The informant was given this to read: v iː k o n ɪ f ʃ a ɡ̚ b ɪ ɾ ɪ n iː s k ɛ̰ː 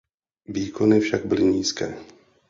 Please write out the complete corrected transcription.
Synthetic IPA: v iː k o n ɪ f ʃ a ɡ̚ b ɪ l ɪ ɲ iː s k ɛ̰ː